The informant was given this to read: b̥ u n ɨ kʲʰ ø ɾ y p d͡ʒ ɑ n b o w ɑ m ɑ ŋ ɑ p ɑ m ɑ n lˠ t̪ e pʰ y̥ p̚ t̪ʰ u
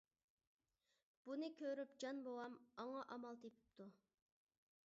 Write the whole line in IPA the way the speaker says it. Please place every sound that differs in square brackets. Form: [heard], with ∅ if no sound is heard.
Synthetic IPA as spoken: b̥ u n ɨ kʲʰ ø ɾ y p d͡ʒ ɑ n b o w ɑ m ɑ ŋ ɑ [ʔ] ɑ m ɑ [∅] lˠ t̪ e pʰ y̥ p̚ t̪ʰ u